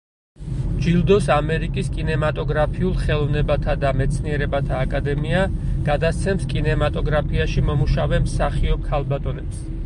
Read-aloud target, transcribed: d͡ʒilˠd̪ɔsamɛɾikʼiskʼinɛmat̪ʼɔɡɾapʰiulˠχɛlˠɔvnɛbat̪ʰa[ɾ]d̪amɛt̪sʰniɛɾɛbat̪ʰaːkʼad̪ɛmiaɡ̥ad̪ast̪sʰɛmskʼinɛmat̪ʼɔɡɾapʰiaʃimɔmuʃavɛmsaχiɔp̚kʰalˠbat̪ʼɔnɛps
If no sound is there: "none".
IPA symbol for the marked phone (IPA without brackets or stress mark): none